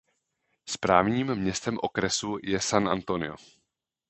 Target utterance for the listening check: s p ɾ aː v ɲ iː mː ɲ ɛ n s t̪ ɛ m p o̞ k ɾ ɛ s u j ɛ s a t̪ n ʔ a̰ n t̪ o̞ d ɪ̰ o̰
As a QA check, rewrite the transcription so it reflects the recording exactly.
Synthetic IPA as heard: s p ɾ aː v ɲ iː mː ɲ ɛ s t̪ ɛ m ʔ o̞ k ɾ ɛ s u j ɛ s a n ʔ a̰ n t̪ o̞ n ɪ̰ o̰

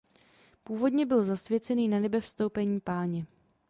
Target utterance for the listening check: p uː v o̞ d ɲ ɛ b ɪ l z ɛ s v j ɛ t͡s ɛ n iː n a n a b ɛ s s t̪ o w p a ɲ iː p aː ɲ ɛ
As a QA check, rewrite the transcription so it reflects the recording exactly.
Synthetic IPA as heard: p uː v o̞ d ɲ ɛ b ɪ l z a s v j ɛ t͡s ɛ n iː n a n ɛ b ɛ f s t̪ o w p ɛ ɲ iː p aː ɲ ɛ

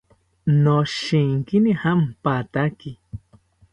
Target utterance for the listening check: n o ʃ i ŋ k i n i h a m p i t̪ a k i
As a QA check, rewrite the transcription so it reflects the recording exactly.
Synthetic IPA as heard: n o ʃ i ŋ k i n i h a m p a t̪ a k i

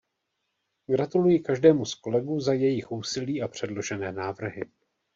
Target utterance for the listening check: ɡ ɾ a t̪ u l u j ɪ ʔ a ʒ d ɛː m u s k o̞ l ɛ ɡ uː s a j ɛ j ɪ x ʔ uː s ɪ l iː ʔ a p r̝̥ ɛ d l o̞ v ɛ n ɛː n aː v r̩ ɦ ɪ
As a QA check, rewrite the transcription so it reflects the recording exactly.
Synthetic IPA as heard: ɡ ɾ a t̪ u l u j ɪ k a ʒ d ɛː m u s k o̞ l ɛ ɡ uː z a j ɛ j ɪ x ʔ uː s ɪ l iː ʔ a p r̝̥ ɛ d l o̞ ʒ ɛ n ɛː n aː v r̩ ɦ ɪ

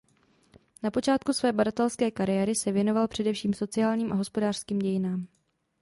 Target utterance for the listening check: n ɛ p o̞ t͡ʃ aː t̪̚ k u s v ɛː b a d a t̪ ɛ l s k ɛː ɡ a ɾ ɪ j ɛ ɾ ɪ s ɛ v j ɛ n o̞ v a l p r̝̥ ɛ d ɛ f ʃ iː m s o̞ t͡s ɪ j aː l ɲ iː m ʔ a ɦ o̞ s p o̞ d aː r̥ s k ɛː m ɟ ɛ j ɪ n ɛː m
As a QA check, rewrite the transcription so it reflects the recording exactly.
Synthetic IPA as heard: n a p o̞ t͡ʃ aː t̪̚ k u s v ɛː b a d a t̪ ɛ l s k ɛː k a ɾ ɪ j ɛ ɾ ɪ s ɛ v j ɛ n o̞ v a l p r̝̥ ɛ d ɛ f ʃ iː m s o̞ t͡s ɪ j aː l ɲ iː m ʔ a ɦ o̞ s p o̞ d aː r̥ s k iː m ɟ ɛ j ɪ n aː m

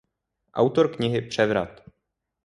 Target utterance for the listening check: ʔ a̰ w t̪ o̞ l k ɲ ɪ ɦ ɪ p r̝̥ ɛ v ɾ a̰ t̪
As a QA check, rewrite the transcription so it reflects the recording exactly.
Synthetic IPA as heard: ʔ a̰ w t̪ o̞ ɾ k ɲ ɪ ɦ ɪ p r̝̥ ɛ v ɾ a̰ t̪

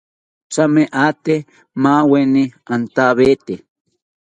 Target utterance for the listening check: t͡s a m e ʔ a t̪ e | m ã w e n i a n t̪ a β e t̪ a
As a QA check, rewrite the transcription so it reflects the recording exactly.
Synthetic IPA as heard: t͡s a m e ʔ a t̪ e | m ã w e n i a n t̪ a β e t̪ e

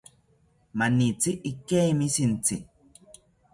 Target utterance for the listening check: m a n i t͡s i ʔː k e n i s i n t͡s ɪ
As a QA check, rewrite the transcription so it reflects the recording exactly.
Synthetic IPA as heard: m a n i t͡s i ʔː k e m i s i n t͡s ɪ

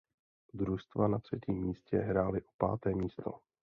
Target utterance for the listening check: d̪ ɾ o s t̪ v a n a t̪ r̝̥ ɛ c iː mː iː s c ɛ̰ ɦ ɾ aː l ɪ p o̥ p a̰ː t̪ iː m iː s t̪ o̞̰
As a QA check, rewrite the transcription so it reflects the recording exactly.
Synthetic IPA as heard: d̪ ɾ u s t̪ v a n a t̪ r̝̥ ɛ c iː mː iː s c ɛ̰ ɦ ɾ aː l ɪ ʔ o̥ p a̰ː t̪ ɛː m iː s t̪ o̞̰

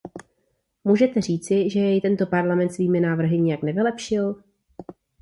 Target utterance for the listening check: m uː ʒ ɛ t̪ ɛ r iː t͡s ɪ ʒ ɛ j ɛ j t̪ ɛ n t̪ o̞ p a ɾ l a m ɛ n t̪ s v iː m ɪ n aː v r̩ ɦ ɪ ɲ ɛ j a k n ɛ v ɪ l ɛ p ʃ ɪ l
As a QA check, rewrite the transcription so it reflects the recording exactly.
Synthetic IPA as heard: m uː ʒ ɛ t̪ ɛ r iː t͡s ɪ ʒ ɛ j ɛ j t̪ ɛ n t̪ o̞ p a ɾ l a m ɛ n t̪ s v iː m ɪ n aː v r̩ ɦ ɪ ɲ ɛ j a k n ɛ v ɪ l ɛ p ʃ ɪ l

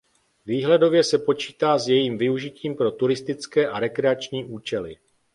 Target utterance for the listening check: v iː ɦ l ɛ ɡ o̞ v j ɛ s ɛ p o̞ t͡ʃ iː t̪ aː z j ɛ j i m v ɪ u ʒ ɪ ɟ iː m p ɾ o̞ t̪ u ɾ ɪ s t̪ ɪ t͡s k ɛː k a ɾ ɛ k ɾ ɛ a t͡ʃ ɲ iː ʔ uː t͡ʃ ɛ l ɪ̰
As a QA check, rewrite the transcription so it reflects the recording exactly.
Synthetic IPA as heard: v iː ɦ l ɛ d o̞ v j ɛ s ɛ p o̞ t͡ʃ iː t̪ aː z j ɛ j iː m v ɪ u ʒ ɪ c iː m p ɾ o̞ t̪ u ɾ ɪ s t̪ ɪ t͡s k ɛː ʔ a ɾ ɛ k ɾ ɛ a t͡ʃ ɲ iː ʔ uː t͡ʃ ɛ l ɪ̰

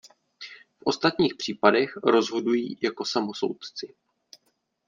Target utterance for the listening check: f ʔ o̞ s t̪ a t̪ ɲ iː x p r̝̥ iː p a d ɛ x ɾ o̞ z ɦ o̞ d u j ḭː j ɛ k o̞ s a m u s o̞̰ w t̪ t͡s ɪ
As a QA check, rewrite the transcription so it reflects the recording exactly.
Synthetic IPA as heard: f ʔ o̞ s t̪ a t̪ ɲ iː x p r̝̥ iː p a d ɛ x ɾ o̞ z ɦ o̞ d u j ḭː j a k o̞ s a m o s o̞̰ w t̪ t͡s ɪ

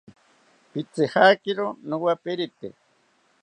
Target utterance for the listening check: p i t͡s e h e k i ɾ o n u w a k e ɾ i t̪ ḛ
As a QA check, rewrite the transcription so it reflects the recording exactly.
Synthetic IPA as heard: p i t͡s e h a k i ɾ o n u w a p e ɾ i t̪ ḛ

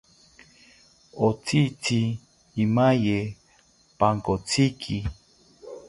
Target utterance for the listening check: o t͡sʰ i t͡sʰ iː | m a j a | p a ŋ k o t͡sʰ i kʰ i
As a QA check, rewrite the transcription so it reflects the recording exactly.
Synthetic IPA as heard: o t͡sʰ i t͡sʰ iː | m a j e | p a ŋ k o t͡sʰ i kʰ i

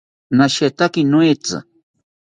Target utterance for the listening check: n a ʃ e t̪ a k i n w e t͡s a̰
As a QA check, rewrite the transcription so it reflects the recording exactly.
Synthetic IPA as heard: n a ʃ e t̪ a k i n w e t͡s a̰

